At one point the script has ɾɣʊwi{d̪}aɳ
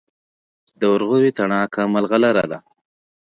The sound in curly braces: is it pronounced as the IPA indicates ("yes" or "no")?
no